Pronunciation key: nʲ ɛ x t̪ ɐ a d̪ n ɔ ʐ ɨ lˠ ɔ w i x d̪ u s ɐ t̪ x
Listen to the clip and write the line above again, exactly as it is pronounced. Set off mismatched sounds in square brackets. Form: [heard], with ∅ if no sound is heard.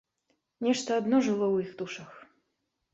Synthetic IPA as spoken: nʲ ɛ [ʂ] t̪ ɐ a d̪ n ɔ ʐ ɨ lˠ ɔ w i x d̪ u [ʂ] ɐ [∅] x